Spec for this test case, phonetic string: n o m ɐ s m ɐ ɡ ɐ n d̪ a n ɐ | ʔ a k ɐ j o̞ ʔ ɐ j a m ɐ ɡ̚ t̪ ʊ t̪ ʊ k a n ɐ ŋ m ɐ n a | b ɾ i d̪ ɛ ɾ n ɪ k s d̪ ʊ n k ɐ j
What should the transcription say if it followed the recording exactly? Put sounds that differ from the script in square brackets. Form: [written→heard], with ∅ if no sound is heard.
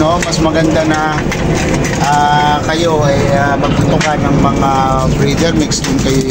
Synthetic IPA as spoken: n o m ɐ s m ɐ ɡ ɐ n d̪ a n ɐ | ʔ a k ɐ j o̞ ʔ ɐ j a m ɐ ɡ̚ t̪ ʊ t̪ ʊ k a n ɐ ŋ m ɐ [n→ŋ] a | b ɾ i d̪ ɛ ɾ [n→m] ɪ k s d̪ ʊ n k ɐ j